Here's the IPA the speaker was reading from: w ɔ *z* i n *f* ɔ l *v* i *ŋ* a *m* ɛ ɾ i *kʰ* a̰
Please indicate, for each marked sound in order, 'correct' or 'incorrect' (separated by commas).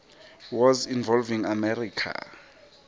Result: correct, incorrect, correct, correct, correct, correct